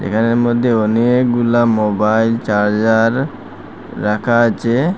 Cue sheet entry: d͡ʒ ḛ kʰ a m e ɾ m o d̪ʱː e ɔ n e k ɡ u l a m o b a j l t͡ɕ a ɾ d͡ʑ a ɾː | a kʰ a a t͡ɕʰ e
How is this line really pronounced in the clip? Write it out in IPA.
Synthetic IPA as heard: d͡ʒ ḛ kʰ a n e ɾ m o d̪ʱː e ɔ n e k ɡ u l a m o b a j l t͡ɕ a ɾ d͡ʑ a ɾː | a kʰ a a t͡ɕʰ e